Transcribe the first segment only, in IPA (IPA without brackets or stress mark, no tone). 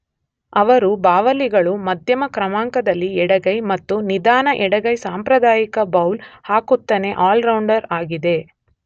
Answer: ɐ